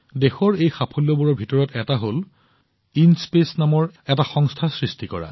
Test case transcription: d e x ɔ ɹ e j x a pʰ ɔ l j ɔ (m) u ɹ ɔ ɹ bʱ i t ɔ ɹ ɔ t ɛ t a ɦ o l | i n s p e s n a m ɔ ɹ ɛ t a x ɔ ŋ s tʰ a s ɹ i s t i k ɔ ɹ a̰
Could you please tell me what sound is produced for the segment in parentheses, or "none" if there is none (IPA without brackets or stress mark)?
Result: b